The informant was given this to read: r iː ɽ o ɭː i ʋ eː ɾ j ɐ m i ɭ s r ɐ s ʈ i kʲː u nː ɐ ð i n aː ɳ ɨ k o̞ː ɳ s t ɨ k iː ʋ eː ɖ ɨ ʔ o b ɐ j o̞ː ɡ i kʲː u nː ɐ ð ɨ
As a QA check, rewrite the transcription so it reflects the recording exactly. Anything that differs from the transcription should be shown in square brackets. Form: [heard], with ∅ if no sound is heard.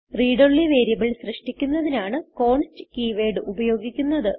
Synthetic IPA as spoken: r iː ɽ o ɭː i ʋ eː ɾ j ɐ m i ɭ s r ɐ [ʂ] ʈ i kʲː u nː ɐ ð i n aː ɳ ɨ k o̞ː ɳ s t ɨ k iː ʋ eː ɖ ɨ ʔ [u] b ɐ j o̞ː ɡ i kʲː u nː ɐ ð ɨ